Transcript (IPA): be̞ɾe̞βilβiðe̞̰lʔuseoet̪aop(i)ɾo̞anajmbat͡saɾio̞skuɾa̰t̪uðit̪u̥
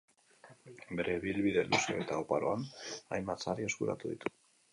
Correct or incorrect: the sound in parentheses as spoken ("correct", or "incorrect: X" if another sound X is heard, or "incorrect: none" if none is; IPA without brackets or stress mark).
incorrect: a